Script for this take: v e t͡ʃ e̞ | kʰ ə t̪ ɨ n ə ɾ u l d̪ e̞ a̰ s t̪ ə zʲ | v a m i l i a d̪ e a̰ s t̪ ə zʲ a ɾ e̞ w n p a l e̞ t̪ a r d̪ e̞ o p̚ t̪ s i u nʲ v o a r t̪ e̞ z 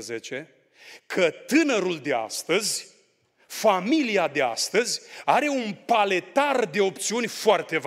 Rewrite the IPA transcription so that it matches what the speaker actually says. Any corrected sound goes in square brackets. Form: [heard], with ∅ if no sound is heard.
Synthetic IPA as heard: [z] e t͡ʃ e̞ | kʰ ə t̪ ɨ n ə ɾ u l d̪ e̞ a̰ s t̪ ə zʲ | [f] a m i l i a d̪ e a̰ s t̪ ə zʲ a ɾ e̞ [u] n p a l e̞ t̪ a r d̪ e̞ o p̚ t̪ s i u nʲ [f] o a r t̪ e̞ [v]